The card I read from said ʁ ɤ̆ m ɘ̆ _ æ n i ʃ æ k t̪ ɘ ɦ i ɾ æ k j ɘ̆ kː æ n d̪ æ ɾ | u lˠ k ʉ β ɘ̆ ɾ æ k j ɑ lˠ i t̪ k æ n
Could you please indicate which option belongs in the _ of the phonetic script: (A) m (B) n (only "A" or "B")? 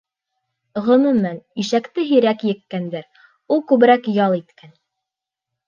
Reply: A